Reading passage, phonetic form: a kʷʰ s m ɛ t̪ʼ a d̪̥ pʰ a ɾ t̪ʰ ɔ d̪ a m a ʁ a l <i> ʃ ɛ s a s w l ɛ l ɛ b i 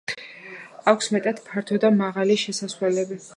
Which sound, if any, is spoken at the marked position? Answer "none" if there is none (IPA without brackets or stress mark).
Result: i